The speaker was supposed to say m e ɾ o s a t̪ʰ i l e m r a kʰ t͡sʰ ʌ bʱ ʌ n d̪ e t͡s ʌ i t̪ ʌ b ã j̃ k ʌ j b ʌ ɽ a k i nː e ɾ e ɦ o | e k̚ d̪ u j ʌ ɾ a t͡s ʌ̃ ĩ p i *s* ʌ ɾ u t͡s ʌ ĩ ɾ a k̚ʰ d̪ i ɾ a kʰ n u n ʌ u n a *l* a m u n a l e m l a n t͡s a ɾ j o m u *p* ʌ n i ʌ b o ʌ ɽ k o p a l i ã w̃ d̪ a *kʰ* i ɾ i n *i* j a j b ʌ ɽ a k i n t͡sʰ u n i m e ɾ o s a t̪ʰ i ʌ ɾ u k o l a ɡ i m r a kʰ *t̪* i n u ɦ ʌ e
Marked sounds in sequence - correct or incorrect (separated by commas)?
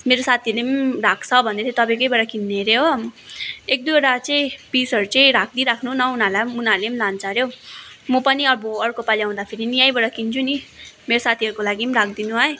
correct, correct, correct, incorrect, correct, incorrect